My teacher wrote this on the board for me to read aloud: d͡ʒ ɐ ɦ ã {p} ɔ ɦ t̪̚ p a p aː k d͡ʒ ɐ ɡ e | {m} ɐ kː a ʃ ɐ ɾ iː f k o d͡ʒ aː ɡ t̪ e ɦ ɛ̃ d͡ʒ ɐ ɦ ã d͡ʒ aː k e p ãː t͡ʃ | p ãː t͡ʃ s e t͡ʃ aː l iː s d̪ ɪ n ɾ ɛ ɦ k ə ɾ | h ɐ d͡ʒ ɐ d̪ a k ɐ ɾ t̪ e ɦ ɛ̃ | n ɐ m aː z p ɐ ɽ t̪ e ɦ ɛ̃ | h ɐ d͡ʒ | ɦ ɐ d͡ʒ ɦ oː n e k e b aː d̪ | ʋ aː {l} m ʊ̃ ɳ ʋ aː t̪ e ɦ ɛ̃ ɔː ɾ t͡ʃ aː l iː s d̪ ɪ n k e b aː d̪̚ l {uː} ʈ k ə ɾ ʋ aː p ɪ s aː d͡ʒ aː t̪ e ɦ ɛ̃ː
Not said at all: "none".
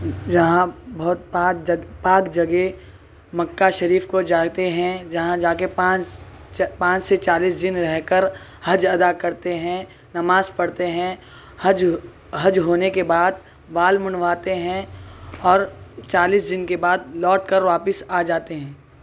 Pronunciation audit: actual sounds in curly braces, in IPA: b, m, l, ɔː

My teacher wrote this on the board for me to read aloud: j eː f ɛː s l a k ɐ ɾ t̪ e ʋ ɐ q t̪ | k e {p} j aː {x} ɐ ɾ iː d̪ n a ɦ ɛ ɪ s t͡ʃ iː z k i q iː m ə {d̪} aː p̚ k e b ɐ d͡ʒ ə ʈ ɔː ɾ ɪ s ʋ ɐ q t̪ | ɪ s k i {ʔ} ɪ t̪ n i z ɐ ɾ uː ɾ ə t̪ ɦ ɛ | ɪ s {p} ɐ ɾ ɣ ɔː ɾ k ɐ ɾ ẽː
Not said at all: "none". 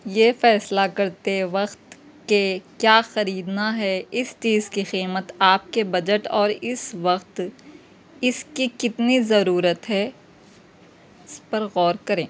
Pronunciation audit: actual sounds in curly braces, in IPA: k, x, t̪, k, p

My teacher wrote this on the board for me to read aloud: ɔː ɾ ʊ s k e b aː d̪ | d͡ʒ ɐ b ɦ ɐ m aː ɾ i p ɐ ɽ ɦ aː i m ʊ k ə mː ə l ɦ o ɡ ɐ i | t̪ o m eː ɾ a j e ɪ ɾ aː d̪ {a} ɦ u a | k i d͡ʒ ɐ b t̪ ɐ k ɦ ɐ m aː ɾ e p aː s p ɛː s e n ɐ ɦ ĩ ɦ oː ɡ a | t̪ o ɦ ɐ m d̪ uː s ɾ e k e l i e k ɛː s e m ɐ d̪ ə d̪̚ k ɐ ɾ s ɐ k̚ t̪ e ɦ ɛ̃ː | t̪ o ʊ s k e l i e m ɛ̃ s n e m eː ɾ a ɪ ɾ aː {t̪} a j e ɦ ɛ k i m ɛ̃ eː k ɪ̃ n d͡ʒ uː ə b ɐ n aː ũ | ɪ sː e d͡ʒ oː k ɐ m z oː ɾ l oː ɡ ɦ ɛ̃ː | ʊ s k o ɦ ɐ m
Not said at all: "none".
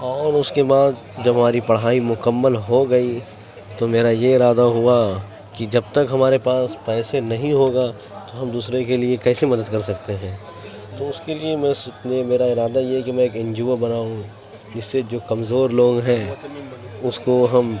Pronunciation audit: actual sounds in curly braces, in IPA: a, d̪

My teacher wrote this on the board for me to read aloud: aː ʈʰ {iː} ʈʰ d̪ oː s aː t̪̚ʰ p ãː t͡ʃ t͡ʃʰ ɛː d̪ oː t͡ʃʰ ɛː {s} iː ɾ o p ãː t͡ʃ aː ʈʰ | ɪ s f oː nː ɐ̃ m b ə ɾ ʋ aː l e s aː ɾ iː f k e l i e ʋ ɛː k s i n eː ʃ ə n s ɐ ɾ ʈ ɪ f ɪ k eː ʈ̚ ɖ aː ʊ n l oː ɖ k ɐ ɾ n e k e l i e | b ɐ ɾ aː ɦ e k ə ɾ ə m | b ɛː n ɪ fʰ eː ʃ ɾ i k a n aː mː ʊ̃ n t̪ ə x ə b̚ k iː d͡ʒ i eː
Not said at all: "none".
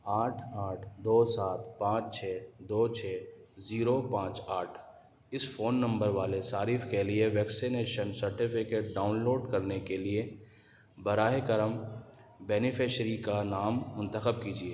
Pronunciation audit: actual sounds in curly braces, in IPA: aː, z

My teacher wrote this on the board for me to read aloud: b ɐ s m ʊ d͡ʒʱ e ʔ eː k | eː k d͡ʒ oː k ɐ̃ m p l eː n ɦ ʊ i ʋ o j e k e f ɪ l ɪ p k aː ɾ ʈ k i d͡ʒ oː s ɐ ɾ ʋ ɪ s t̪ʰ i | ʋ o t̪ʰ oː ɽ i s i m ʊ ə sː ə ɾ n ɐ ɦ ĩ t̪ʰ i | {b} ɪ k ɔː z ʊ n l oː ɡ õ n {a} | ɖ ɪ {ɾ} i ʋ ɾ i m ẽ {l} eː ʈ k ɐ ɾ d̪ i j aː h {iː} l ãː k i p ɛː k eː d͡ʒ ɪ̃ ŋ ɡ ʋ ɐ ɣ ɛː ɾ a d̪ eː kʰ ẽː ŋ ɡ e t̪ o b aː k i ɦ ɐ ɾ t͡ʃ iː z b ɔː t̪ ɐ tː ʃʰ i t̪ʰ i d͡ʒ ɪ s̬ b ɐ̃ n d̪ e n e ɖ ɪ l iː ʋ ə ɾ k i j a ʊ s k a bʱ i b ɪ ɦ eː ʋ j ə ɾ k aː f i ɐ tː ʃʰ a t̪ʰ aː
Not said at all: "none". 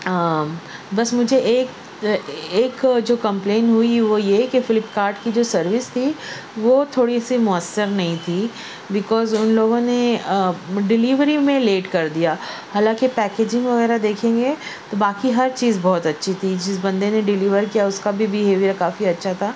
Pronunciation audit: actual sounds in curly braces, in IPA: b, e, l, l, aː

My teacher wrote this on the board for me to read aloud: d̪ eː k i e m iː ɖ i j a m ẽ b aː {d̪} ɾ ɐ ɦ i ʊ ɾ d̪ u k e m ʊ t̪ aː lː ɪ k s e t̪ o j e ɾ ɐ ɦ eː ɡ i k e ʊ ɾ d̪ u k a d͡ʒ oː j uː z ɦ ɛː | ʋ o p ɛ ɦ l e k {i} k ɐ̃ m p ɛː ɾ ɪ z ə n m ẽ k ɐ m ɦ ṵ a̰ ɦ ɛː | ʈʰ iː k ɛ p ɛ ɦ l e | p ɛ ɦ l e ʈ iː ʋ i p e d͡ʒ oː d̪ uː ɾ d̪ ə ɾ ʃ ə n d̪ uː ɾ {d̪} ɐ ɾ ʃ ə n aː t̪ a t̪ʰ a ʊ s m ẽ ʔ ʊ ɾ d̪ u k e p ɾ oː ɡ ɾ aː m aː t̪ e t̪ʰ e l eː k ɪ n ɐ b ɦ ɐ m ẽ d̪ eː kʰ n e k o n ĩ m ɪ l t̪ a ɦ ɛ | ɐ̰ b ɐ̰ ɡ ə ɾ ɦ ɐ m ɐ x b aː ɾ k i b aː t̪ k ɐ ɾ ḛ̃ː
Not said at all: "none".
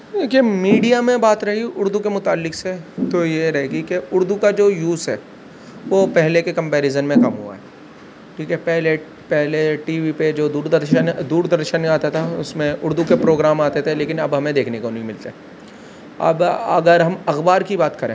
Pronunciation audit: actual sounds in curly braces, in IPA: t̪, e, d̪

